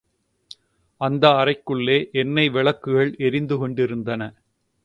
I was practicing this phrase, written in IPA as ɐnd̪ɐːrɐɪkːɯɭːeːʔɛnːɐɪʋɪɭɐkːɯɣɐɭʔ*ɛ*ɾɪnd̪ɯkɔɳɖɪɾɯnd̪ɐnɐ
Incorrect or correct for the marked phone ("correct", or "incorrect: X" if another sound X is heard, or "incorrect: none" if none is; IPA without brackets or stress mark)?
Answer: correct